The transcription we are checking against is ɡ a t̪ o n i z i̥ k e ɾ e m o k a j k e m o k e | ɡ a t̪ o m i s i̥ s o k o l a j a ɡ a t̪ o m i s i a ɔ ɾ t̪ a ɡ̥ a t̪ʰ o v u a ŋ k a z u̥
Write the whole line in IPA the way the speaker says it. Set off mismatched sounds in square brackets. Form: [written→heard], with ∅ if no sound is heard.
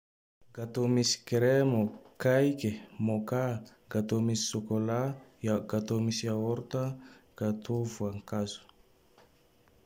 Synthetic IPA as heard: ɡ a t̪ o [n→m] i [z→s] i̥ k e ɾ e m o k a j k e m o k [e→a] | ɡ a t̪ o m i s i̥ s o k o l a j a ɡ a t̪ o m i s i a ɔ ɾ t̪ a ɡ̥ a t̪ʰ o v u a ŋ k a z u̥